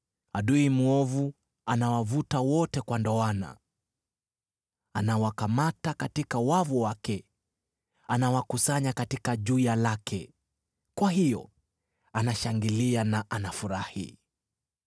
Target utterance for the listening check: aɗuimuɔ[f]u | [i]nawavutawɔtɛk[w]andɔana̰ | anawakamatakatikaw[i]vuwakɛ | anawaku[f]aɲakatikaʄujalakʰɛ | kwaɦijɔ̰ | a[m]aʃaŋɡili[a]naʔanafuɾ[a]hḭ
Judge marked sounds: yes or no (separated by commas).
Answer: no, no, yes, no, no, no, yes, yes